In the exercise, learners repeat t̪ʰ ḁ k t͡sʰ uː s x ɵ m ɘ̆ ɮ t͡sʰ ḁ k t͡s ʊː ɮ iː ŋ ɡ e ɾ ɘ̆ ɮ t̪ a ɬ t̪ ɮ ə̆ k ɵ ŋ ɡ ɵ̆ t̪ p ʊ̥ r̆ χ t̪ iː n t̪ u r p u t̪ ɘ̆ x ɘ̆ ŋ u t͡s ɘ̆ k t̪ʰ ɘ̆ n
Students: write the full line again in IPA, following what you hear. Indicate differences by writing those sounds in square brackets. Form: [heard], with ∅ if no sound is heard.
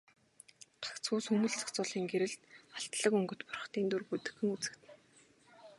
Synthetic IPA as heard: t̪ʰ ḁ k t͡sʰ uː s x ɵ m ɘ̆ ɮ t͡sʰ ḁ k t͡s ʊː ɮ iː ŋ ɡ e ɾ ɘ̆ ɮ t̪ a ɬ t̪ ɮ ə̆ k ɵ ŋ ɡ ɵ̆ t̪ p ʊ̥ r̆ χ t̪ iː n t̪ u r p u t̪ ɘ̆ x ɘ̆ ŋ u t͡s ɘ̆ k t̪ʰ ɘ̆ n